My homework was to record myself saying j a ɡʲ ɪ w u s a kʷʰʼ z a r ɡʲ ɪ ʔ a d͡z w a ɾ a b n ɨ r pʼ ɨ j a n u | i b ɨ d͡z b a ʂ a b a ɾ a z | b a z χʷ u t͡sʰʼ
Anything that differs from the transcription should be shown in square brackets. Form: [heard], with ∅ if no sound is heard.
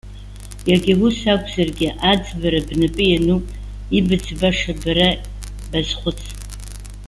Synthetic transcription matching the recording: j a ɡʲ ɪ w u s a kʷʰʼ z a r ɡʲ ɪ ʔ a d͡z [b] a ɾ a b n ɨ [∅] pʼ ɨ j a n u | i b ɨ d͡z b a ʂ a b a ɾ a [∅] | b a z χʷ [ʊ] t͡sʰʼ